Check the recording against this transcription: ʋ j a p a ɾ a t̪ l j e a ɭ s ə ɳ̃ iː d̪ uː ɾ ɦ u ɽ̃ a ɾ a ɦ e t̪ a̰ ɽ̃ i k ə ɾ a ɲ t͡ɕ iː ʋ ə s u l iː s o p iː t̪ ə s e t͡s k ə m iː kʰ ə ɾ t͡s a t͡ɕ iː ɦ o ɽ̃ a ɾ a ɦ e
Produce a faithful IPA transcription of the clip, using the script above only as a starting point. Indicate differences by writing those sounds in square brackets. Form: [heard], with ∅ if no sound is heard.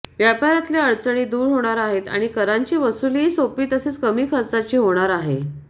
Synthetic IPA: ʋ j a p a ɾ a t̪ l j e [ə] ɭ [t͡s] ə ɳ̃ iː d̪ uː ɾ ɦ [o] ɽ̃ a ɾ a ɦ e t̪ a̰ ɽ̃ i k ə ɾ a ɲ t͡ɕ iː ʋ ə s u l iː s o p iː t̪ ə s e t͡s k ə m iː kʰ ə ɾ t͡s a t͡ɕ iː ɦ o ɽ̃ a ɾ a ɦ e